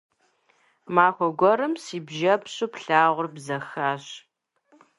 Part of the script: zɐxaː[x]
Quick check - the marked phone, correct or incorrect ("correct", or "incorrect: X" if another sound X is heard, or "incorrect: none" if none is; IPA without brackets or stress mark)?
incorrect: ɕ